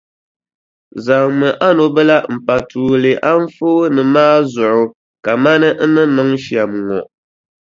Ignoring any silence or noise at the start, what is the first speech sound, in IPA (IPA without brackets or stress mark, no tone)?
z